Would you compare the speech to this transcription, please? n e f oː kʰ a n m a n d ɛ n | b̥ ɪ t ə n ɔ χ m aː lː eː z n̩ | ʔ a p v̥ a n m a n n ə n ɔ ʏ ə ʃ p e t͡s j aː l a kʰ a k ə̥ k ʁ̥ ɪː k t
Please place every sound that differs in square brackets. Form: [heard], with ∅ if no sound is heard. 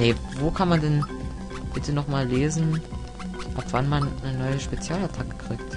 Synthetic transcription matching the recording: n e [v] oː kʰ a n m a n d ɛ n | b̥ ɪ t ə n ɔ χ m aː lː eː z n̩ | ʔ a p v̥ a n m a n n ə n ɔ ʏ ə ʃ p e t͡s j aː l a [tʰ] a k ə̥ k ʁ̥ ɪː k t